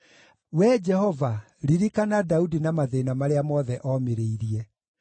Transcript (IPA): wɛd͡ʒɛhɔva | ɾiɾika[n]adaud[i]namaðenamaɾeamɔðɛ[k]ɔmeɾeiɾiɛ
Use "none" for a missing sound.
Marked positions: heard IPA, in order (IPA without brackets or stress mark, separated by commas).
n, i, ʔ